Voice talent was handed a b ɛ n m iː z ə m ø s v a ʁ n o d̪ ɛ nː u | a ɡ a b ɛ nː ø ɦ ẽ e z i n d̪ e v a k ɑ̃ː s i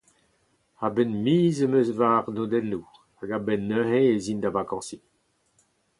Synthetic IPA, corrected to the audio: a b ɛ n m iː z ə m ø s v a ʁ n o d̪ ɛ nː u | a ɡ a b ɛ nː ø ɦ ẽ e z i n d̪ a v a k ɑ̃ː s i